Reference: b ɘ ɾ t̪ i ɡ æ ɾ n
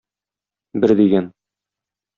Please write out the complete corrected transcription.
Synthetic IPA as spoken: b ɘ ɾ d̪ i ɡ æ n